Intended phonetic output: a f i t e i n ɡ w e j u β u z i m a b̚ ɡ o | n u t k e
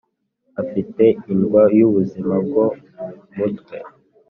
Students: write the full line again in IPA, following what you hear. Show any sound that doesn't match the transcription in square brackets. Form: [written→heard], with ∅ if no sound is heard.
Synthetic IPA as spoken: a f i t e i n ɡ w [e→a] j u β u z i m a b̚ ɡ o | [n→m] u t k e